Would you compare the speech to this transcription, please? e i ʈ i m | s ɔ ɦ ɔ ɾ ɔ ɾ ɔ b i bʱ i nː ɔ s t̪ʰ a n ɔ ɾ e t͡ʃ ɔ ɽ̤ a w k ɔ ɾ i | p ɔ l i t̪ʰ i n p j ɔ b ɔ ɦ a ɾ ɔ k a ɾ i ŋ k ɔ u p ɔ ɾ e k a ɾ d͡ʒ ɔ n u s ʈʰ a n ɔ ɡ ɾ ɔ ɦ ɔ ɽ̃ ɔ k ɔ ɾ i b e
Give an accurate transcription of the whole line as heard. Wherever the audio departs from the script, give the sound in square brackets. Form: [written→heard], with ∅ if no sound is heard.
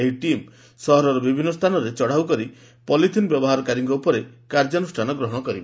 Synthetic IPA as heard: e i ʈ i m | s ɔ ɦ ɔ ɾ ɔ ɾ ɔ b i bʱ i nː ɔ s t̪ʰ a n ɔ ɾ e t͡ʃ ɔ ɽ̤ a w k ɔ ɾ i | p ɔ l i t̪ʰ i n [p→b] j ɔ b ɔ ɦ a ɾ ɔ k a ɾ i ŋ k ɔ u p ɔ ɾ e k a ɾ d͡ʒ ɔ n u s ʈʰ a n ɔ ɡ ɾ ɔ ɦ ɔ ɽ̃ ɔ k ɔ ɾ i b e